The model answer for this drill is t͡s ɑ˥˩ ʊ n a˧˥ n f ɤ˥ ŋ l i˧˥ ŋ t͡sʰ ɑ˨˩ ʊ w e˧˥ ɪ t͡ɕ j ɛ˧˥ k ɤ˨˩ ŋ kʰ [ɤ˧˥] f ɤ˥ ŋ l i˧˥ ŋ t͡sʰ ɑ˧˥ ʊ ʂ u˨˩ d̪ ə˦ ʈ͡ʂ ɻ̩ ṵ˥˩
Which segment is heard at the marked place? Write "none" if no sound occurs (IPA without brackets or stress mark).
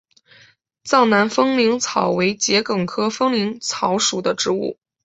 ɤ˥